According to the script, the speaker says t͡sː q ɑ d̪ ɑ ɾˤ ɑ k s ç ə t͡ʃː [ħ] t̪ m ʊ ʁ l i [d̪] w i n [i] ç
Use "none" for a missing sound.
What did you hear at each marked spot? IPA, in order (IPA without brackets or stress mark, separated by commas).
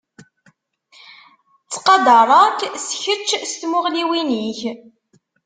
s, none, i